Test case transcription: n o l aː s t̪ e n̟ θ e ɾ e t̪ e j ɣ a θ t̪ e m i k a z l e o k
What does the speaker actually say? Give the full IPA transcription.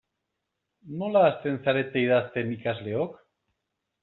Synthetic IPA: n o l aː s t̪ e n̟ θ a ɾ e t̪ e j ð a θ t̪ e m i k a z l e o k

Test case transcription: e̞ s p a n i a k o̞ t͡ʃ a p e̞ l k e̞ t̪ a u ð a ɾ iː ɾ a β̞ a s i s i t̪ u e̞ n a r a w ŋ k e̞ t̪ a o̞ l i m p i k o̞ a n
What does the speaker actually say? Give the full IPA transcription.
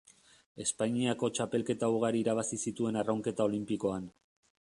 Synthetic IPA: e̞ s p a ɲ i a k o̞ t͡ʃ a p e̞ l k e̞ t̪ a u ɣ a ɾ iː ɾ a β̞ a s i s i t̪ u e̞ n a r a w ŋ k e̞ t̪ a o̞ l i m p i k o̞ a n

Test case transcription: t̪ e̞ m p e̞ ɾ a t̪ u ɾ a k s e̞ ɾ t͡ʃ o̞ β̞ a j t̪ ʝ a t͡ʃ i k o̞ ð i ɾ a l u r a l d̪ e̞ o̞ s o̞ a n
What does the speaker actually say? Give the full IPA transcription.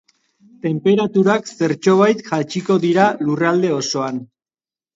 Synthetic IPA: t̪ e̞ m p e̞ ɾ a t̪ u ɾ a k s e̞ ɾ t͡ʃ o̞ β̞ a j t̪ ʝ a t͡ʃ i k o̞ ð i ɾ a l u r a l d̪ e̞ o̞ s o̞ a n

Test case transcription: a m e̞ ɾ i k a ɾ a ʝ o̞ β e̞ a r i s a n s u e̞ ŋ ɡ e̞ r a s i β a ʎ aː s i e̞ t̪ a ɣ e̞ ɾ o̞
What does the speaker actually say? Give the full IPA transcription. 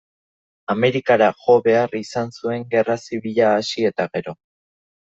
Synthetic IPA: a m e̞ ɾ i k a ɾ a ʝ o̞ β e̞ a r i s a n s u e̞ ŋ ɡ e̞ r a s i β i ʎ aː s i e̞ t̪ a ɣ e̞ ɾ o̞

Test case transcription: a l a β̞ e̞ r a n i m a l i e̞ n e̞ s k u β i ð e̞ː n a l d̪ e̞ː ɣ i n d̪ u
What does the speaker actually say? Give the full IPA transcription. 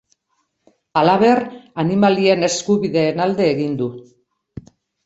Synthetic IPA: a l a β̞ e̞ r a n i m a l i e̞ n e̞ s k u β i ð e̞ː n a l d̪ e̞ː ɣ i n d̪ u

